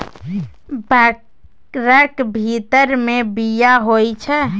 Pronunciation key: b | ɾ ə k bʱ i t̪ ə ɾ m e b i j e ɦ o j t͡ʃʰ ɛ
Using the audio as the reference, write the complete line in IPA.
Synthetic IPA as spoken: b | ɾ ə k bʱ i t̪ ə ɾ m e b i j a ɦ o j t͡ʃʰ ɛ